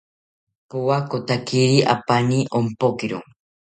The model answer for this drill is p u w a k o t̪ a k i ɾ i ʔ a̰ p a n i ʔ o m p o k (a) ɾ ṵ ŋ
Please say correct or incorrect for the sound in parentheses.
incorrect